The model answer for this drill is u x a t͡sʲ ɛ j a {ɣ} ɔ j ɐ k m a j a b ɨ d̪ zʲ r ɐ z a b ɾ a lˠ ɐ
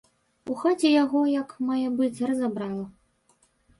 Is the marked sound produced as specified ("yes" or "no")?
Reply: yes